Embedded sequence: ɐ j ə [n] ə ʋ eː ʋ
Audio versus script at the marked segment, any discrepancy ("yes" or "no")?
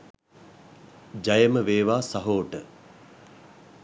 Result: yes